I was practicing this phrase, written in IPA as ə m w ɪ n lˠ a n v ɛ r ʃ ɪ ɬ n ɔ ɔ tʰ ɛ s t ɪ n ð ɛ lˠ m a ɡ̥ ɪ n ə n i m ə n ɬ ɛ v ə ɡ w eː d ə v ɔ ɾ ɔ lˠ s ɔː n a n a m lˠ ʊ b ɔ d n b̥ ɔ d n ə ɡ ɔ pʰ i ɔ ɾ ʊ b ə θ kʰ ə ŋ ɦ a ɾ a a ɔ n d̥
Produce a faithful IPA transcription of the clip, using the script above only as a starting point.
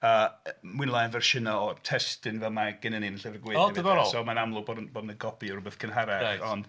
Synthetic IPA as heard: ə m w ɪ n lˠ a n v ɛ r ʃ ɪ n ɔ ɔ tʰ ɛ s t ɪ n v ɛ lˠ m a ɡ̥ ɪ n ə n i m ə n ɬ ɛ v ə ɡ w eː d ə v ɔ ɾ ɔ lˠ s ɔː m a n a m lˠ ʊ b ɔ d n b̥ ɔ d n ə ɡ ɔ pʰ i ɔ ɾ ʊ b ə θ kʰ ə n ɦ a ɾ a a ɔ n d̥